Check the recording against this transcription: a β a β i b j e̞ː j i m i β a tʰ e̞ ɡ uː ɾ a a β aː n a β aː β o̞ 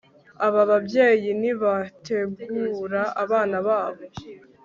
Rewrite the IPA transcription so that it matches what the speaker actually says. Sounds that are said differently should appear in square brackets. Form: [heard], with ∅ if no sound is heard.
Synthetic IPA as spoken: a β a β [a] b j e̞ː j i [n] i β a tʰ e̞ ɡ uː ɾ a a β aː n a β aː β o̞